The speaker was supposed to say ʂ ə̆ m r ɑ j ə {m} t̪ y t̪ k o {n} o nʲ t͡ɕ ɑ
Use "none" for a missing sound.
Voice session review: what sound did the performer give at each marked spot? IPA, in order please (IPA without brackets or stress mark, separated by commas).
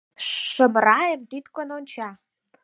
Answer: m, n